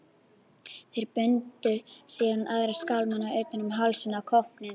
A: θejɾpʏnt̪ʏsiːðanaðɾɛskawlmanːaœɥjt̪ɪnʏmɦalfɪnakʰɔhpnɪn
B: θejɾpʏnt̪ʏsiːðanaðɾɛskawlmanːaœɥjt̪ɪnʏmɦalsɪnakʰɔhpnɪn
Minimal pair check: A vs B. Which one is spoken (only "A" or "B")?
B